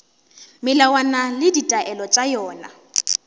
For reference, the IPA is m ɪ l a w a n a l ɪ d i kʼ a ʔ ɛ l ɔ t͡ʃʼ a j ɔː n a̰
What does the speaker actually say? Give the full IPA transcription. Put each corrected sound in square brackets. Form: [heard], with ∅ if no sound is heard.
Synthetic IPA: m ɪ l a w a n a l ɪ d i [tʼ] a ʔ ɛ l ɔ t͡ʃʼ a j ɔː n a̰